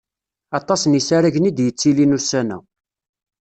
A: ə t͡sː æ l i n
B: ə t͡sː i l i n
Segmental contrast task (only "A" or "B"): B